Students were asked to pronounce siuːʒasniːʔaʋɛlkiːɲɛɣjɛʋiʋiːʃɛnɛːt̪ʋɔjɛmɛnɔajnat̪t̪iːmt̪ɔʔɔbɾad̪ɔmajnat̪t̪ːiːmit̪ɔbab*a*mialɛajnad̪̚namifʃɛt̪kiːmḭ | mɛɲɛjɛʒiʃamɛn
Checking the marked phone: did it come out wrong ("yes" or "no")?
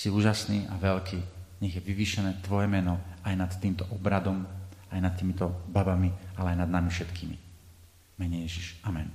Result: no